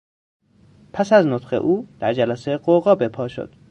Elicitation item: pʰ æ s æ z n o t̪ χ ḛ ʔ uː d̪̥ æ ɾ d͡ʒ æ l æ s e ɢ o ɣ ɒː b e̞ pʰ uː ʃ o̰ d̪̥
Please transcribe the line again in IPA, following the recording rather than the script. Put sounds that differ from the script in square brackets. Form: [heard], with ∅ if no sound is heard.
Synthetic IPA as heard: pʰ æ s æ z n o t̪ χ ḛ ʔ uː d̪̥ æ ɾ d͡ʒ æ l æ s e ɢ o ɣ ɒː b e̞ pʰ [ɒː] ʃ o̰ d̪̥